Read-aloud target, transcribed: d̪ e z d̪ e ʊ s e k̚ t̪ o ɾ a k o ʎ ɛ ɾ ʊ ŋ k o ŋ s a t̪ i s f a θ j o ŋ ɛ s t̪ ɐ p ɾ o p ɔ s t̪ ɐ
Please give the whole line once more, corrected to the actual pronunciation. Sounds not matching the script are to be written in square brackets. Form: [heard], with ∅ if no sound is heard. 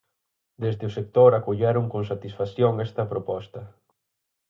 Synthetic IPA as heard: d̪ e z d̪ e ʊ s e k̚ t̪ o ɾ a k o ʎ ɛ ɾ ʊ ŋ k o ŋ s a t̪ i s f a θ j o ŋ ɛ s t̪ ɐ p ɾ o p ɔ s t̪ ɐ

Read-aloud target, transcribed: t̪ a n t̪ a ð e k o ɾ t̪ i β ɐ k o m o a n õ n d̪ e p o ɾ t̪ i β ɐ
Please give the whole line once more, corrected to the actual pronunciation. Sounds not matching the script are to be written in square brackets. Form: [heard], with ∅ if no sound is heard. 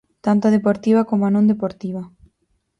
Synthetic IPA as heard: t̪ a n t̪ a ð e [p] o ɾ t̪ i β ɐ k o m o a n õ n d̪ e p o ɾ t̪ i β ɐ

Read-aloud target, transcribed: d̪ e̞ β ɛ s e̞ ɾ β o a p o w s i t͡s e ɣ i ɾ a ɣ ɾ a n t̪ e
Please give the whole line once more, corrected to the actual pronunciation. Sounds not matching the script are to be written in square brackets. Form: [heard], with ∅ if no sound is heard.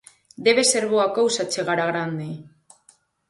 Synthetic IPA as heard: d̪ e̞ β [e] s e̞ ɾ β o a [k] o w s [a] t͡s e ɣ [a] ɾ a ɣ ɾ a n [d̪] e

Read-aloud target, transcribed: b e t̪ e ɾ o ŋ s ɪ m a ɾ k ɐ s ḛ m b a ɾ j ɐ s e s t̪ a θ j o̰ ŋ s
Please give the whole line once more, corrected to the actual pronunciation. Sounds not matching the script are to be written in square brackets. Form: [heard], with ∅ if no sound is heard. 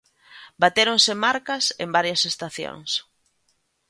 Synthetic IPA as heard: b [a] t̪ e ɾ o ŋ s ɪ m a ɾ k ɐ s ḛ m b a ɾ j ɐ s e s t̪ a θ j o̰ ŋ s

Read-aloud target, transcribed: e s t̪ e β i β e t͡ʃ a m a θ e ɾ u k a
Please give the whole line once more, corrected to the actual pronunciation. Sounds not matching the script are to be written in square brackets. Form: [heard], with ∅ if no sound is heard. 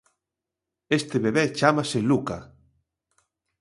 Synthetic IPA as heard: e s t̪ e β [e] β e t͡ʃ a m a [s] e [l] u k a

